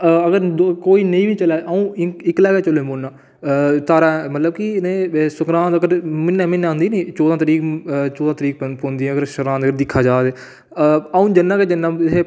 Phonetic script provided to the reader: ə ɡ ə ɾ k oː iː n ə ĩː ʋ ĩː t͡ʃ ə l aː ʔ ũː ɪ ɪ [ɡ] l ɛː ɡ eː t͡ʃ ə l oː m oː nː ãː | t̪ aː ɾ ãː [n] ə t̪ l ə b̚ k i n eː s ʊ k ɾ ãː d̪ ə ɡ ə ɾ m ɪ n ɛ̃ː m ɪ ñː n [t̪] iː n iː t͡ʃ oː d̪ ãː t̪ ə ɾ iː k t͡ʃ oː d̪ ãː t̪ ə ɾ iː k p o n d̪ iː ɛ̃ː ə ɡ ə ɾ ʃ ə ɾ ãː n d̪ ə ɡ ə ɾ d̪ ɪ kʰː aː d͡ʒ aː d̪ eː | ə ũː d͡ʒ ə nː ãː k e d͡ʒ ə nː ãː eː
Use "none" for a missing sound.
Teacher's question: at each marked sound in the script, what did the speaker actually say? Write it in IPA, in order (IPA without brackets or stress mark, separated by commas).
k, m, d̪